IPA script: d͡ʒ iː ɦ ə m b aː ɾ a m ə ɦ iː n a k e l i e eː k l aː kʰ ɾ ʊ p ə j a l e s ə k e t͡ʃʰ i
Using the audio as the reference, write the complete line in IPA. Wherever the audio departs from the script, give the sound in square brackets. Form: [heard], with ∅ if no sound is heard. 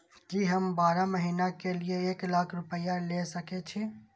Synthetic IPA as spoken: d͡ʒ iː ɦ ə m b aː ɾ a m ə ɦ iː n a k e l i e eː k l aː kʰ ɾ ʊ p ə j a l e s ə k e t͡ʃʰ i